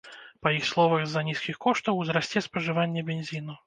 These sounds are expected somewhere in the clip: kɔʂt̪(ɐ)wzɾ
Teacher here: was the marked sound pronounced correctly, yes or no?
yes